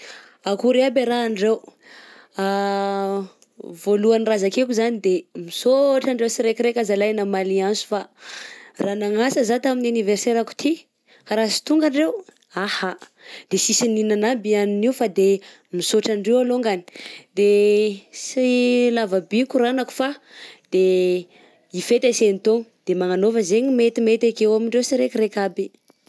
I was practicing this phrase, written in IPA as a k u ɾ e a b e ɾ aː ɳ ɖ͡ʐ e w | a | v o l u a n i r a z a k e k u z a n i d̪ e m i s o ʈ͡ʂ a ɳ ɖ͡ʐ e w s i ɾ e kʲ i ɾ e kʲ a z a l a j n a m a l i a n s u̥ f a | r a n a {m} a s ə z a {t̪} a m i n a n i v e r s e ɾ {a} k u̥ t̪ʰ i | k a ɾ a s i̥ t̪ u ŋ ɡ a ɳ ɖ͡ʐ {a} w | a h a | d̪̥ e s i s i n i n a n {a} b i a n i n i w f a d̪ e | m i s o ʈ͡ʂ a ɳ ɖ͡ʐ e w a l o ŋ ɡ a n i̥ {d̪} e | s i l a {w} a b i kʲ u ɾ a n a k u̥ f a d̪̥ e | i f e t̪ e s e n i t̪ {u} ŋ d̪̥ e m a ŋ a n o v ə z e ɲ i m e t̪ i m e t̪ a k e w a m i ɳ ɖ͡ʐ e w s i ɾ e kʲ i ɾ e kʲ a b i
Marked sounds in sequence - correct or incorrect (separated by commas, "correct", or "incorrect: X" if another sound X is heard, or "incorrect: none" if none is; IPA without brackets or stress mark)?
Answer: incorrect: ŋ, correct, correct, incorrect: e, correct, correct, incorrect: v, incorrect: o